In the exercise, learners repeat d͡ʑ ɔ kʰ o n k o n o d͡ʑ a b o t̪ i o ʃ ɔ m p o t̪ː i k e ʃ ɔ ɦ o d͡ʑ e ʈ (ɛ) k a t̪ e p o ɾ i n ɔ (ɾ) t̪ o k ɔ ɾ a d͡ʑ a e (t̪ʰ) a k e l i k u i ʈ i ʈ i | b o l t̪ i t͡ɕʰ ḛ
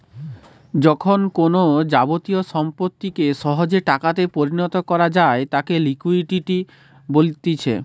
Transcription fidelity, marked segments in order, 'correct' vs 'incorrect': incorrect: a, incorrect: none, incorrect: t̪

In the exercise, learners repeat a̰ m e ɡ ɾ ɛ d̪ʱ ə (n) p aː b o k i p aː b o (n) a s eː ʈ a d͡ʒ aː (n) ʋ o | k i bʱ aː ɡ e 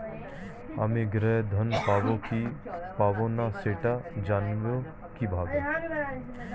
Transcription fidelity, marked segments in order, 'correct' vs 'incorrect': correct, correct, correct

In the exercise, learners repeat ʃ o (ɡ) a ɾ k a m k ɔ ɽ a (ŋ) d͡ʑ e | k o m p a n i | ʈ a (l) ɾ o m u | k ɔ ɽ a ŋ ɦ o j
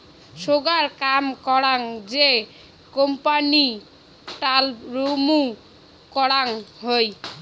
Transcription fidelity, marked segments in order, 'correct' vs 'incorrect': correct, correct, correct

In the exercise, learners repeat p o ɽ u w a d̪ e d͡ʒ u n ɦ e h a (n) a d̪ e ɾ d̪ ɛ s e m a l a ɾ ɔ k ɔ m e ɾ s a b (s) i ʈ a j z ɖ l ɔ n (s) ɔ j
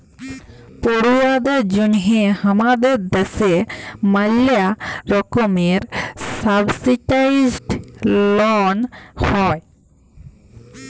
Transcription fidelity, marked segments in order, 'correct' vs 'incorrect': incorrect: m, correct, incorrect: h

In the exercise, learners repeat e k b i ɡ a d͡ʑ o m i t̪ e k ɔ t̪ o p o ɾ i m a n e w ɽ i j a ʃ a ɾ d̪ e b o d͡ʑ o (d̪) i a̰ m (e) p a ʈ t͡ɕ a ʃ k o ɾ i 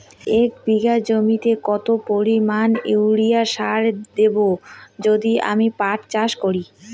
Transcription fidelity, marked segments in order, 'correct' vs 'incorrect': correct, incorrect: i

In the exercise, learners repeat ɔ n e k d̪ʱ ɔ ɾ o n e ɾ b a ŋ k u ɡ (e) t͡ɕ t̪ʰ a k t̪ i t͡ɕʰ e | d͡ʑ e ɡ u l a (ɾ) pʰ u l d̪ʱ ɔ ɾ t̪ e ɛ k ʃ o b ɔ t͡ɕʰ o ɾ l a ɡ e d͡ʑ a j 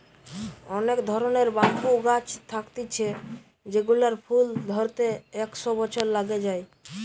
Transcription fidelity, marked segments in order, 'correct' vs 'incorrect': incorrect: a, correct

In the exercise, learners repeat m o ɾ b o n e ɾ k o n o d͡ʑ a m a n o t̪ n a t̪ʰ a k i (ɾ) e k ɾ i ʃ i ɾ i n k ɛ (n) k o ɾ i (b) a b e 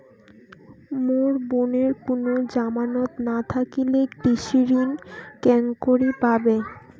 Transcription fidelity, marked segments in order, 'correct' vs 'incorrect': incorrect: l, incorrect: ŋ, incorrect: p

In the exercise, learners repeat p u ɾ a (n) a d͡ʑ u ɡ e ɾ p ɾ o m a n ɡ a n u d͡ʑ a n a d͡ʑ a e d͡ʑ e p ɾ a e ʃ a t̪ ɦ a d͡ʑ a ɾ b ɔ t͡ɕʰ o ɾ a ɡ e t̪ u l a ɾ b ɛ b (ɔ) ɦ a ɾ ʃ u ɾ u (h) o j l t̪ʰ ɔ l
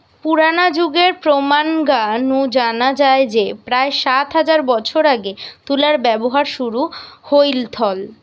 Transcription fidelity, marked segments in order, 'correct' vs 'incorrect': correct, incorrect: o, correct

